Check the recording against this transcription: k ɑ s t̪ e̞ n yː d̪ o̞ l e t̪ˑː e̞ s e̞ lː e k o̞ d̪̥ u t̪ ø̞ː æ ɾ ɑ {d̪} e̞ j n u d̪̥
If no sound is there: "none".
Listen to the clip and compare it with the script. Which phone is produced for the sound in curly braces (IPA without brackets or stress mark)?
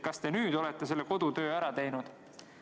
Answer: t̪